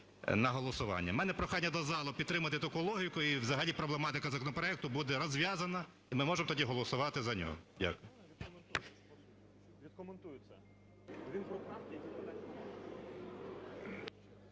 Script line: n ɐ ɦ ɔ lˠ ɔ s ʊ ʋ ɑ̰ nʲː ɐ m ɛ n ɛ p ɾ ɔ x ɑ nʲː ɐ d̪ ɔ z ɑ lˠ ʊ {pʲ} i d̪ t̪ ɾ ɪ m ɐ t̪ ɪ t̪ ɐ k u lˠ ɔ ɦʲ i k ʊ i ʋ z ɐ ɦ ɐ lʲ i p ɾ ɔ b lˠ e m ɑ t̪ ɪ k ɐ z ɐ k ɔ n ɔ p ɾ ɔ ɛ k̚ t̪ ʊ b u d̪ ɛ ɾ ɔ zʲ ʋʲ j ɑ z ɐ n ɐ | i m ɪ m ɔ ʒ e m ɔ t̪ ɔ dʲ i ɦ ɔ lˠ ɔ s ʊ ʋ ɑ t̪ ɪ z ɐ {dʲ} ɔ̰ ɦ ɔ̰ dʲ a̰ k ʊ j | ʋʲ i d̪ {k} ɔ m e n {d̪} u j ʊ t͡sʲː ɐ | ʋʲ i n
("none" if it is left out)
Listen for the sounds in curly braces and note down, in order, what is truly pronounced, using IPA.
pʲ, nʲ, k, t̪

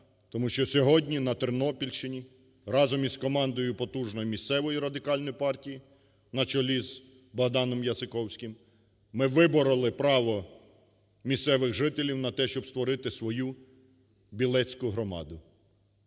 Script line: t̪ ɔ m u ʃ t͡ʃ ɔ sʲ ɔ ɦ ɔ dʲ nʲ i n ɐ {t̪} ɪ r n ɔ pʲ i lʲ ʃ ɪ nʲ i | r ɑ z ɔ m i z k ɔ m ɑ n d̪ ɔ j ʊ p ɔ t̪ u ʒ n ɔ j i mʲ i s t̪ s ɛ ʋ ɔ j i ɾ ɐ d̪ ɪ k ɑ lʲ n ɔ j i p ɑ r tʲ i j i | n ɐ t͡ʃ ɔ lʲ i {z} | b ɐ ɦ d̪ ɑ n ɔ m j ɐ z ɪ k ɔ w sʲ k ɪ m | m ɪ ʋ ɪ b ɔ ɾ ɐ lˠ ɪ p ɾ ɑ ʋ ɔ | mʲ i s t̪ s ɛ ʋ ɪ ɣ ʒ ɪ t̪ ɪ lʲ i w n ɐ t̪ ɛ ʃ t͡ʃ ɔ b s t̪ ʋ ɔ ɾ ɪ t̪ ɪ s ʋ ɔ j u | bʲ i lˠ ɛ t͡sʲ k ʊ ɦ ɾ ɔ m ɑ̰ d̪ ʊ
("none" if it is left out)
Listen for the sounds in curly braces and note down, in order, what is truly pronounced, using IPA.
t̪, z

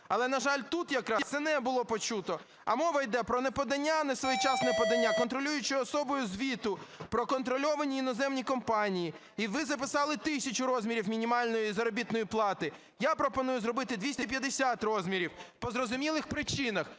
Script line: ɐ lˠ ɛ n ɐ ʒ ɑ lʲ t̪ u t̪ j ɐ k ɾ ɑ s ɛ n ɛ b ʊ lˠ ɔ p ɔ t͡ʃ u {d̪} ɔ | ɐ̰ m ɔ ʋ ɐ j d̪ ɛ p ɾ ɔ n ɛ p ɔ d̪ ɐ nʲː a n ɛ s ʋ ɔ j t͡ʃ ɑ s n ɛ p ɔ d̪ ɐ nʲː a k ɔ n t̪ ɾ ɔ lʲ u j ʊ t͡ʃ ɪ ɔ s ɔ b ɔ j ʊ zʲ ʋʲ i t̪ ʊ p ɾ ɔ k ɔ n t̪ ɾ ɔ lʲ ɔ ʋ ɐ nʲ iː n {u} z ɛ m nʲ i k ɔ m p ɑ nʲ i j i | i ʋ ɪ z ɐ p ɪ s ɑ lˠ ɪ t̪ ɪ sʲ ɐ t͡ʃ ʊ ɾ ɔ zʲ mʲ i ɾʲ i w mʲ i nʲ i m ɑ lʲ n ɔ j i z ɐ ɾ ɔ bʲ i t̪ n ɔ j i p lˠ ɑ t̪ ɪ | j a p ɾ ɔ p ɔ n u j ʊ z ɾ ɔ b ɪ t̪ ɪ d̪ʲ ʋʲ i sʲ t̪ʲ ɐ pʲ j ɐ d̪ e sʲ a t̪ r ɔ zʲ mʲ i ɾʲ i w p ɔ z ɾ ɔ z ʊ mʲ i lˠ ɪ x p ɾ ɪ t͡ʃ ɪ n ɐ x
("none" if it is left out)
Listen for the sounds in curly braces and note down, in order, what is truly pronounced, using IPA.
t̪, ɔ

